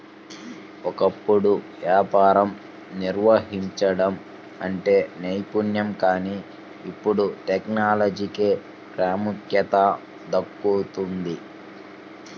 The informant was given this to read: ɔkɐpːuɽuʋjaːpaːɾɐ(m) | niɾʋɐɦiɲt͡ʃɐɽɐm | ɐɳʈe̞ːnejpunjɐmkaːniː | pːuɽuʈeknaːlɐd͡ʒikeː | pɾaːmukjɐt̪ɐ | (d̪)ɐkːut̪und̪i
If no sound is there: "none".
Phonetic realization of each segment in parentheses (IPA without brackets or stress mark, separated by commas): m, d̪